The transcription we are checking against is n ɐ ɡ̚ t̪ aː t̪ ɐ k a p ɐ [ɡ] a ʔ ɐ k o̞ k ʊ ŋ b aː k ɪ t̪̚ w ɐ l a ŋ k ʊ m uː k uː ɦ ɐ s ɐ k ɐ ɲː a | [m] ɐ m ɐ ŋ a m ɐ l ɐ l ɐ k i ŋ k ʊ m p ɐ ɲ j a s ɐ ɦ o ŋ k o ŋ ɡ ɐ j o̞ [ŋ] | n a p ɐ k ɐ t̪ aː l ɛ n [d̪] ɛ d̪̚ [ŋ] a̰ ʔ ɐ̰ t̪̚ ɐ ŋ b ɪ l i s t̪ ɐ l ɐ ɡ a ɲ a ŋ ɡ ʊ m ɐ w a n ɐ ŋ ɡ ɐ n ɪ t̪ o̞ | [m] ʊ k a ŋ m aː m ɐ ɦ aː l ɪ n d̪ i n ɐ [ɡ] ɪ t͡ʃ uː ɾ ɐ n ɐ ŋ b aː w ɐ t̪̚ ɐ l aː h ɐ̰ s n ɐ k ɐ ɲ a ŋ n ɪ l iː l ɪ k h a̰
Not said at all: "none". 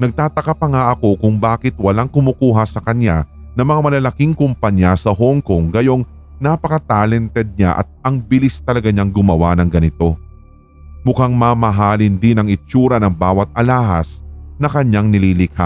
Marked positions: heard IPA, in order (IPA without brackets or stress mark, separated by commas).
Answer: ŋ, n, ŋ, t̪, ɲ, m, ŋ